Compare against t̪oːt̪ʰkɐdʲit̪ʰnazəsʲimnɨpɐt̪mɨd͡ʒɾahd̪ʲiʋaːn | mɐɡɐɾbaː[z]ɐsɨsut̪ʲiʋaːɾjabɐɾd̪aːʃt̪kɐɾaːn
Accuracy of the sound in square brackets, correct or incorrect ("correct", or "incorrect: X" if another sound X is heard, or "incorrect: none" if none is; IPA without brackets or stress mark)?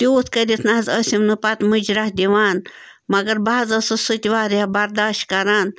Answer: correct